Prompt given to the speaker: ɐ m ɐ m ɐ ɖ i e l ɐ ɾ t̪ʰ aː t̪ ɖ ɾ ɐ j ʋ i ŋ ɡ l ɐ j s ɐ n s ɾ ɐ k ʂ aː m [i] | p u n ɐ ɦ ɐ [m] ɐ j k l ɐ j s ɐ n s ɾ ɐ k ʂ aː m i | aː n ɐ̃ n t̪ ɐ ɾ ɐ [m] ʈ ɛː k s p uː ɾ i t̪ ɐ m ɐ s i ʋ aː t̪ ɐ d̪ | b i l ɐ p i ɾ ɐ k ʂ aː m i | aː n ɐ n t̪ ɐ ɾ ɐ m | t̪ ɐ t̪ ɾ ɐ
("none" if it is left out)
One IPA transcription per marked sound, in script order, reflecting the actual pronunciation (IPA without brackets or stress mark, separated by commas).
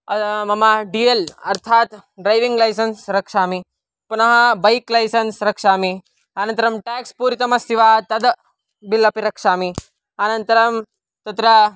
i, b, m